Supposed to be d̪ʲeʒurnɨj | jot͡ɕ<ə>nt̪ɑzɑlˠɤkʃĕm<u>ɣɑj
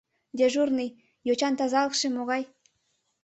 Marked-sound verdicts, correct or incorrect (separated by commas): incorrect, incorrect